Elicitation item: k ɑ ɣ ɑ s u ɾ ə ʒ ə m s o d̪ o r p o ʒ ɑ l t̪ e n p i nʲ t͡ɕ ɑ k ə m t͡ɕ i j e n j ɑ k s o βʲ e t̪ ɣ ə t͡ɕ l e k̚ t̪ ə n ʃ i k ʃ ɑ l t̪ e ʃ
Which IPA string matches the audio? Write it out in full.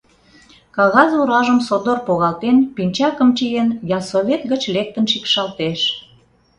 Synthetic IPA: k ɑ ɣ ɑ z u ɾ ɑ ʒ ə m s o d̪ o r p o ɣ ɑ l t̪ e n p i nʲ t͡ɕ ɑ k ə m t͡ɕ i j e n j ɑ s o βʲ e t̪ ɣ ə t͡ɕ l e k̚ t̪ ə n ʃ i k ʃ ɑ l t̪ e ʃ